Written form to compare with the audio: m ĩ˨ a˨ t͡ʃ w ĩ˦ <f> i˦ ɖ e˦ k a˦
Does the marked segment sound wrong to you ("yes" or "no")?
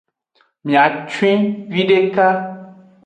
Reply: yes